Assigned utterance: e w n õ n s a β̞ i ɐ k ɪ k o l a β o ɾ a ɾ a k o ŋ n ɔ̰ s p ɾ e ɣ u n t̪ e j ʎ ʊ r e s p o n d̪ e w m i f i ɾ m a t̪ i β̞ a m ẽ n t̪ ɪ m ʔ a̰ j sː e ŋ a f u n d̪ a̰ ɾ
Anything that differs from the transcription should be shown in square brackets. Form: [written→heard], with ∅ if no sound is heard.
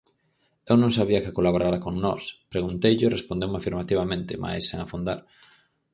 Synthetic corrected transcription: e w n õ [n→ŋ] s a β̞ i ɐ k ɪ k o l a β o ɾ a ɾ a k o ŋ n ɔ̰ s p ɾ e ɣ u n t̪ e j ʎ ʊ r e s p o n d̪ e w m [i→a] f i ɾ m a t̪ i β̞ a m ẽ n t̪ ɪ m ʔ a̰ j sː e ŋ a f u n d̪ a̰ ɾ